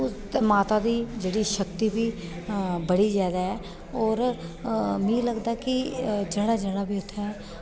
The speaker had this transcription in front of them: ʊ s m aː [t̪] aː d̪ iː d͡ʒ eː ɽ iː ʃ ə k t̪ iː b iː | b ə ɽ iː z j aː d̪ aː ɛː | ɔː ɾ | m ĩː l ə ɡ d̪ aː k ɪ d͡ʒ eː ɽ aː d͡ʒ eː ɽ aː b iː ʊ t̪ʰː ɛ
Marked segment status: correct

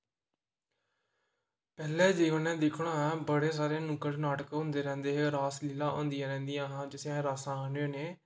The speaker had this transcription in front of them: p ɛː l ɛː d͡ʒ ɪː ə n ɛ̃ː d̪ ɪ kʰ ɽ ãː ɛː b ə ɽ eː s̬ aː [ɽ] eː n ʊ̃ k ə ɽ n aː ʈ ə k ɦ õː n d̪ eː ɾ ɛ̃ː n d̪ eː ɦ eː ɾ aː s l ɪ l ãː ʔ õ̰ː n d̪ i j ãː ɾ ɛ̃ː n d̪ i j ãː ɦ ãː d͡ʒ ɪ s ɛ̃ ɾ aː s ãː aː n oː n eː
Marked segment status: incorrect: ɾ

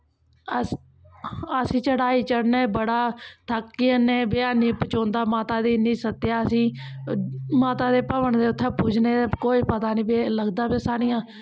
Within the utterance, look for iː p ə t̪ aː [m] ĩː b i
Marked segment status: incorrect: n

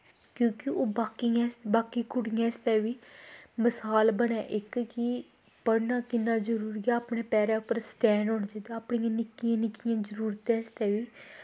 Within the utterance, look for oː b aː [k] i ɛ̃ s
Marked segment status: correct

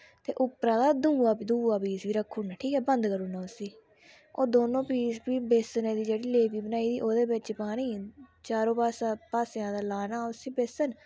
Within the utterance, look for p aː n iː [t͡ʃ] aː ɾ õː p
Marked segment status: correct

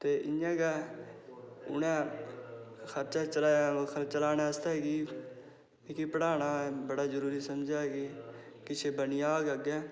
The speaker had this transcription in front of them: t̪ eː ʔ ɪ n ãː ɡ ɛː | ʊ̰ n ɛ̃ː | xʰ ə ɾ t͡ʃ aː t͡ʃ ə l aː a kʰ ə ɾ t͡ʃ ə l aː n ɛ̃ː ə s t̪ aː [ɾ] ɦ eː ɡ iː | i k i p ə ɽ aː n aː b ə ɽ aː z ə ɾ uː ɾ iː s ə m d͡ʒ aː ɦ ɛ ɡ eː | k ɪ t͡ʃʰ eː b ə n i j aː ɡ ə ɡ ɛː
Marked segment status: incorrect: none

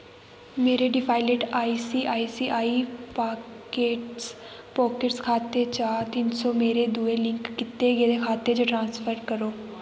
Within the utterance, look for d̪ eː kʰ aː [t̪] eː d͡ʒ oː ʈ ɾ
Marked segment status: correct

